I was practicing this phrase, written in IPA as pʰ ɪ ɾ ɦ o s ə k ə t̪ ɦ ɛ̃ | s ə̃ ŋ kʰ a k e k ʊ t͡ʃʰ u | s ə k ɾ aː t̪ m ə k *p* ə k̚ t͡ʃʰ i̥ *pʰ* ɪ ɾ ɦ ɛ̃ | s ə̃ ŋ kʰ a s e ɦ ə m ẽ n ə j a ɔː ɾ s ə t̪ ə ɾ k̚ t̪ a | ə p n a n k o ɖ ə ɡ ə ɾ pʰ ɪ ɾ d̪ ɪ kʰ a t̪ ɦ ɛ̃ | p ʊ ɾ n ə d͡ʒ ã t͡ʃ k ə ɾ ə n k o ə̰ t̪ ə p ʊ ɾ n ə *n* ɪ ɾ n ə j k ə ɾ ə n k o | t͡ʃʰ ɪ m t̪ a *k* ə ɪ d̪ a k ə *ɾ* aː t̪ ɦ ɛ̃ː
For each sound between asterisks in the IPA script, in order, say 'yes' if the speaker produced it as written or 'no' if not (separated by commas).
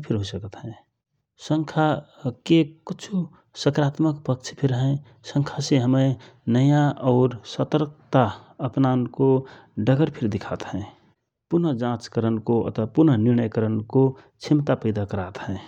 yes, yes, yes, no, yes